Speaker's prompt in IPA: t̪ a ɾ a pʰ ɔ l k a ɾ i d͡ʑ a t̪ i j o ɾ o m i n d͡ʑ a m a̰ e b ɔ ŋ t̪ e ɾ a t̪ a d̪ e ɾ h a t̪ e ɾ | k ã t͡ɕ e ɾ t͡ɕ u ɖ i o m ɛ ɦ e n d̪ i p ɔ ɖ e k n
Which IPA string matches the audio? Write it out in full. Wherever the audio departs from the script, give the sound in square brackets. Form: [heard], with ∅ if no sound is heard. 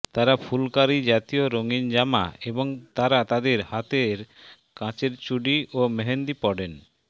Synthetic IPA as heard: t̪ a ɾ a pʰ [u] l k a ɾ i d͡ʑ a t̪ i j o ɾ o [ŋ] i n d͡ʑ a m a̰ e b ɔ ŋ t̪ [a] ɾ a t̪ a d̪ e ɾ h a t̪ e ɾ | k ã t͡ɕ e ɾ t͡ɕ u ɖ i o m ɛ ɦ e n d̪ i p ɔ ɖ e [∅] n